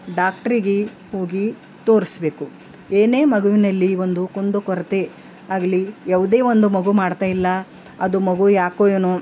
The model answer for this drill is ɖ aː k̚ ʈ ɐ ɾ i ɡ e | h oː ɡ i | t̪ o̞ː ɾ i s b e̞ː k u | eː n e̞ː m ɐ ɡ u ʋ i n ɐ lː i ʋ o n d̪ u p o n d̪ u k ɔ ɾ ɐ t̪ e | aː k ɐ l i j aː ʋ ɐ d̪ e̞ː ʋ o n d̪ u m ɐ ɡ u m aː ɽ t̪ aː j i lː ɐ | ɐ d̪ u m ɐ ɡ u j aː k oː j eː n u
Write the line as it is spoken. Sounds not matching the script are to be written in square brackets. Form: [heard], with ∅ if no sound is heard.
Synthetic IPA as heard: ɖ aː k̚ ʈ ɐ ɾ i ɡ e | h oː ɡ i | t̪ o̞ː ɾ i s b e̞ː k u | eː n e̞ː m ɐ ɡ u ʋ i n ɐ lː i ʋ o n d̪ u [k] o n d̪ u k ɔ ɾ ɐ t̪ e | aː [ɡ] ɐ l i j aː ʋ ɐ d̪ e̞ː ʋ o n d̪ u m ɐ ɡ u m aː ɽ t̪ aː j i lː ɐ | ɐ d̪ u m ɐ ɡ u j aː k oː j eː n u

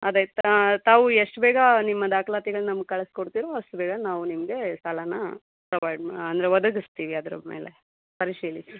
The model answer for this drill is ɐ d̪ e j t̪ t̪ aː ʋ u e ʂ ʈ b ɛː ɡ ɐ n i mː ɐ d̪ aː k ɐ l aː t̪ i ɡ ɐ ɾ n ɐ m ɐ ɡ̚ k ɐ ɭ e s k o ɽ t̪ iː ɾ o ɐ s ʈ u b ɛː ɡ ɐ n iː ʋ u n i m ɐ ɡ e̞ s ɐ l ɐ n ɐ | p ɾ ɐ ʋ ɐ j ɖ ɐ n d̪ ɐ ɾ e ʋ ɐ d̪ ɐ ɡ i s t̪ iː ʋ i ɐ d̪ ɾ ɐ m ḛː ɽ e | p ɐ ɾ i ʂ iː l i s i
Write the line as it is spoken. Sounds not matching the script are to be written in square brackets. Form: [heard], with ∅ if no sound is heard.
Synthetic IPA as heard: ɐ d̪ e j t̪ t̪ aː ʋ u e ʂ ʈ b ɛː ɡ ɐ n i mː ɐ d̪ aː k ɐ l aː t̪ i ɡ ɐ [ɭ] n ɐ m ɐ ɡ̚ k ɐ ɭ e s k o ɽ t̪ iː ɾ o ɐ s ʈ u b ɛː ɡ ɐ n [aː] ʋ u n i m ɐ ɡ e̞ s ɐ l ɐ n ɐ | p ɾ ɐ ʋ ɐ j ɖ ɐ n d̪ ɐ ɾ e ʋ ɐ d̪ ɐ ɡ i s t̪ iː ʋ i ɐ d̪ ɾ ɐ m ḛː [l] e | p ɐ ɾ i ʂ iː l i s i

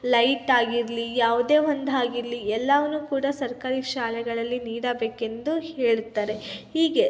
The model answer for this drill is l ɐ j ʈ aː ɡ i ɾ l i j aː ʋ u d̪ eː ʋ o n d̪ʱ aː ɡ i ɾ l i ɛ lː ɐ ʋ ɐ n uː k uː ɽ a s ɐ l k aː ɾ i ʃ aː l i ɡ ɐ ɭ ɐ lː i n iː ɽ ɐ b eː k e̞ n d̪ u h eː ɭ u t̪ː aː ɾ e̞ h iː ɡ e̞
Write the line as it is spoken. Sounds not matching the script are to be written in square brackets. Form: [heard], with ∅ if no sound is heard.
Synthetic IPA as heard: l ɐ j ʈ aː ɡ i ɾ l i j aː ʋ u d̪ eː ʋ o n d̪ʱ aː ɡ i ɾ l i ɛ lː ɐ ʋ ɐ n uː k uː ɽ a s ɐ [ɾ] k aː ɾ i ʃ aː l [ɛ] ɡ ɐ ɭ ɐ lː i n iː ɽ ɐ b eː k e̞ n d̪ u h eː ɭ u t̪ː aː ɾ e̞ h iː ɡ e̞

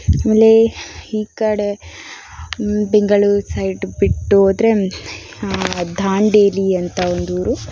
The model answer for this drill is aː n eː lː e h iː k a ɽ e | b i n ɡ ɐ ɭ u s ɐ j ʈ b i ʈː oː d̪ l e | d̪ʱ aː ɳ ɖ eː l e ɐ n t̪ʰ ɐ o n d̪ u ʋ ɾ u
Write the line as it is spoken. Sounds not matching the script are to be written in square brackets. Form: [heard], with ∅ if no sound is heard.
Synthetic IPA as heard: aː [m] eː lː e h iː k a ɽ e | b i [ŋ] ɡ ɐ ɭ u s ɐ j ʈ b i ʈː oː d̪ [ɾ] e | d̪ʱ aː ɳ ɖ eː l [i] ɐ n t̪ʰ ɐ o n d̪ u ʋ ɾ u

